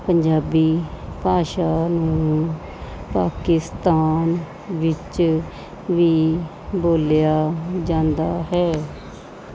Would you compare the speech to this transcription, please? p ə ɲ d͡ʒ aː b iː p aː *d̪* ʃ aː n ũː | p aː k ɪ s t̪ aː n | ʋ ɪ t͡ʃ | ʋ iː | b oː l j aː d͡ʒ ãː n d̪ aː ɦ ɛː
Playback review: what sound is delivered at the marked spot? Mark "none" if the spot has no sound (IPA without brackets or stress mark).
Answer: none